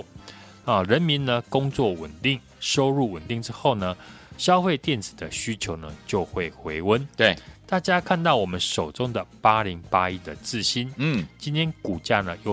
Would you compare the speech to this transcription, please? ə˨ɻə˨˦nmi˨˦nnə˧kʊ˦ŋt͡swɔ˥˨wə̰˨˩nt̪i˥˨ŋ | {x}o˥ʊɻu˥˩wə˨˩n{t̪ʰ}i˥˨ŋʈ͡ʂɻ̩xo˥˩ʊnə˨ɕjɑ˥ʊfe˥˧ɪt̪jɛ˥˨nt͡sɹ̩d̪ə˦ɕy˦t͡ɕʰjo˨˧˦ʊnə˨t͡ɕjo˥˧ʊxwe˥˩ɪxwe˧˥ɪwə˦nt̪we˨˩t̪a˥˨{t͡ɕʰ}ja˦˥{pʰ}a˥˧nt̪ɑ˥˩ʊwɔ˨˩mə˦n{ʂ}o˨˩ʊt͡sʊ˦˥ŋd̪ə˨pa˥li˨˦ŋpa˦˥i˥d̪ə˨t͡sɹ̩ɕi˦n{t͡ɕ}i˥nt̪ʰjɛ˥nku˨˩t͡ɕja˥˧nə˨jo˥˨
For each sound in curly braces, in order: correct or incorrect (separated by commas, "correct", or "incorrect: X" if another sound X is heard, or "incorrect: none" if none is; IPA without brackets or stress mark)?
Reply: incorrect: ʂ, incorrect: t̪, incorrect: t͡ɕ, incorrect: kʰ, correct, correct